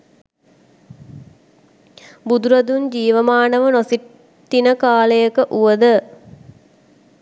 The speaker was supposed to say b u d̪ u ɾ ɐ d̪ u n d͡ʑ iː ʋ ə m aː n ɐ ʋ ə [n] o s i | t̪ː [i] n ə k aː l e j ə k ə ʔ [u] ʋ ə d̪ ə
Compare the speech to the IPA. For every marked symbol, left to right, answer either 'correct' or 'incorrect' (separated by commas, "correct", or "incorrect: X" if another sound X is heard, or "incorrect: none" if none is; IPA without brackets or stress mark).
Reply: correct, correct, correct